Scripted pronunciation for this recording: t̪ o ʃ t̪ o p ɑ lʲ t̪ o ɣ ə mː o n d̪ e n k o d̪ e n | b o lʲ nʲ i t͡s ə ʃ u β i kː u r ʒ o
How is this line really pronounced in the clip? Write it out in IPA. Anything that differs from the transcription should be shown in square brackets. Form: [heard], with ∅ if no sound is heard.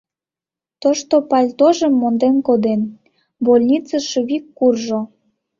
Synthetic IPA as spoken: t̪ o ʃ t̪ o p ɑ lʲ t̪ o [ʒ] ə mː o n d̪ e n k o d̪ e n | b o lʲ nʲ i t͡s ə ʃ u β i kː u r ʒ o